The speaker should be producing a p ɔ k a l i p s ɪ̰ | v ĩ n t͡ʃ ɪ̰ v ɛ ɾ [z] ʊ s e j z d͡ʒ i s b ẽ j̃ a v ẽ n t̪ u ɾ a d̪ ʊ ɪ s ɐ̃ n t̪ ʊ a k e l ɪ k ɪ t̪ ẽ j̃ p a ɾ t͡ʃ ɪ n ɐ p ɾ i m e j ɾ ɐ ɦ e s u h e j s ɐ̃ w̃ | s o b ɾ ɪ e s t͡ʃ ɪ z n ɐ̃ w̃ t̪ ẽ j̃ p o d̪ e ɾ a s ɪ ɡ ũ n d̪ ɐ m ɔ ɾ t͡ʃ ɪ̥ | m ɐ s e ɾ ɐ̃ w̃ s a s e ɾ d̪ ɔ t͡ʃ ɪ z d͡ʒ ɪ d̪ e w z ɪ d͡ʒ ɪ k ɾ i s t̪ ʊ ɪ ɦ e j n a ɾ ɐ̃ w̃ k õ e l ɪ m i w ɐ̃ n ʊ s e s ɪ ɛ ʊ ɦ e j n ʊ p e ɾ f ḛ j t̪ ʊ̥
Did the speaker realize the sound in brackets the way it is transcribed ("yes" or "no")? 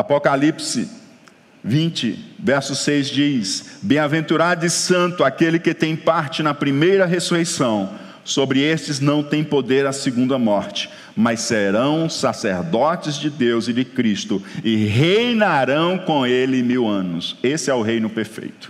no